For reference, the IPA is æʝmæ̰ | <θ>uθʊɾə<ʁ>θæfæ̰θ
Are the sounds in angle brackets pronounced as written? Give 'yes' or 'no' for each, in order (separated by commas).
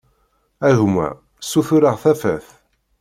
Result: no, yes